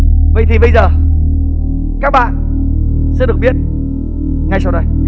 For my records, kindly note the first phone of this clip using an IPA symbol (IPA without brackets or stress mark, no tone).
v